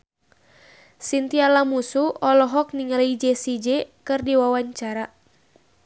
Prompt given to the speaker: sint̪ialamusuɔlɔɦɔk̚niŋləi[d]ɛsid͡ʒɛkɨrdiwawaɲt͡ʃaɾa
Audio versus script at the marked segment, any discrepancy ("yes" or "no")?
yes